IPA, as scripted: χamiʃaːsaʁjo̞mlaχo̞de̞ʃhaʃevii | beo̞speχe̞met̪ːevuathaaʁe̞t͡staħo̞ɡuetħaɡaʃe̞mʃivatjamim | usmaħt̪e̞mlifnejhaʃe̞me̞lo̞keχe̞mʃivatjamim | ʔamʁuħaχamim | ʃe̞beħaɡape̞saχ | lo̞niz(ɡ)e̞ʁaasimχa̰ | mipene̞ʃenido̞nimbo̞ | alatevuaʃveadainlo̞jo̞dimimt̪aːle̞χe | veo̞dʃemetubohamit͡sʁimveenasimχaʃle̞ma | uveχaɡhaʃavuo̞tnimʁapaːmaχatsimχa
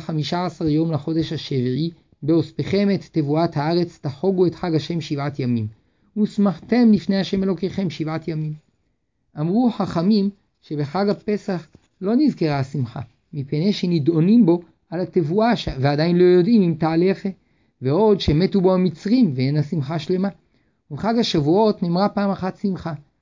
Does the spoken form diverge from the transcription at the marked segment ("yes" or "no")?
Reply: yes